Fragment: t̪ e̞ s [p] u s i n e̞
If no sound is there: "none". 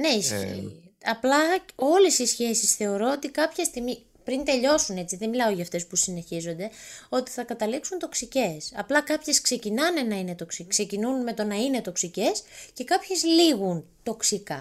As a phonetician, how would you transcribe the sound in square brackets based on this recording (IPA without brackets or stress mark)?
p